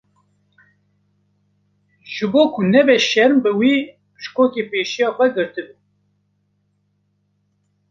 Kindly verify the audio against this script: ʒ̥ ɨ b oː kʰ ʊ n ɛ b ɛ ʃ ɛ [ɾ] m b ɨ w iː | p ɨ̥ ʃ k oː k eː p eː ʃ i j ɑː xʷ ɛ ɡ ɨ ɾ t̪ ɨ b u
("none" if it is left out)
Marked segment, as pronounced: ɾ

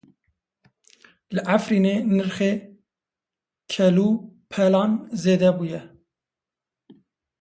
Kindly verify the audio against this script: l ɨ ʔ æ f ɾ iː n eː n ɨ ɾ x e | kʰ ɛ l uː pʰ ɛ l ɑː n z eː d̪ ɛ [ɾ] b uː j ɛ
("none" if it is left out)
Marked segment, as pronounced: none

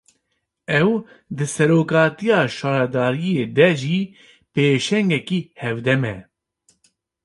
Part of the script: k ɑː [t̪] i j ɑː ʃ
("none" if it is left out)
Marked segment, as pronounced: t̪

